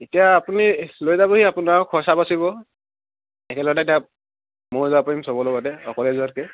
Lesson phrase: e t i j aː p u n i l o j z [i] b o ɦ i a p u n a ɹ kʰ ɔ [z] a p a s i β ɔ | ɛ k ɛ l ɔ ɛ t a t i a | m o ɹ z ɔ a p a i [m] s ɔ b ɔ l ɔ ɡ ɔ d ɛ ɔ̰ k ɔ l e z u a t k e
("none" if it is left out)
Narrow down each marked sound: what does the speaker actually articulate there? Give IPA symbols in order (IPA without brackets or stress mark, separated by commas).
a, s, m